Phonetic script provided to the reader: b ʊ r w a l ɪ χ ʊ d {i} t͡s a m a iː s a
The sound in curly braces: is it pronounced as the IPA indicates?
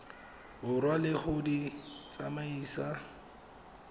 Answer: yes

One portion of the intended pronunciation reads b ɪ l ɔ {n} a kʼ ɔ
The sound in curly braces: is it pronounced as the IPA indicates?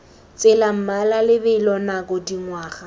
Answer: yes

